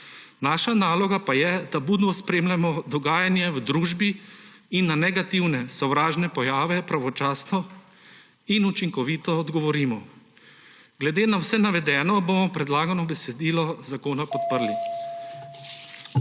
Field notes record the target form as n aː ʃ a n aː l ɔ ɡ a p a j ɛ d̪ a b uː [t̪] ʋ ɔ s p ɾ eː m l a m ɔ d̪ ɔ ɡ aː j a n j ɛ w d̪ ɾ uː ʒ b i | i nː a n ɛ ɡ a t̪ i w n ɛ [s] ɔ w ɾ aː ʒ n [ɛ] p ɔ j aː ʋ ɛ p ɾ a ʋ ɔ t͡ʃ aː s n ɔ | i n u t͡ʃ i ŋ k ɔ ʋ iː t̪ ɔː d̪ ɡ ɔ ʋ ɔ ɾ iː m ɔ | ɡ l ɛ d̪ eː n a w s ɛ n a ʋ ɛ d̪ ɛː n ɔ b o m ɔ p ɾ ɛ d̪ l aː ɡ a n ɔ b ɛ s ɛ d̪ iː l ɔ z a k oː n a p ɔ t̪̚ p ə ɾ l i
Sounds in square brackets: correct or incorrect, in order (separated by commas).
incorrect, correct, correct